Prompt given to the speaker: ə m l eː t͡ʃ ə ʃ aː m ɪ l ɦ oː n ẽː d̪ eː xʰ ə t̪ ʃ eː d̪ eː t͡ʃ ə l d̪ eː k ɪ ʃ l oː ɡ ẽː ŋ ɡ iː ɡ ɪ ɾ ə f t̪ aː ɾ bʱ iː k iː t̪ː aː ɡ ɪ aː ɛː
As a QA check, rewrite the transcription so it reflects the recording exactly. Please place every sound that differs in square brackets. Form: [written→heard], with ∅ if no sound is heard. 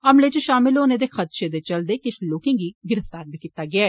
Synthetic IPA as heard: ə m l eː t͡ʃ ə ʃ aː m ɪ l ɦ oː n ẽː d̪ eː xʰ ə t̪ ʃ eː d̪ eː t͡ʃ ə l d̪ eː k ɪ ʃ l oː [ɡ→k] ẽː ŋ ɡ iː ɡ ɪ ɾ ə f t̪ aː ɾ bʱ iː k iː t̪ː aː ɡ ɪ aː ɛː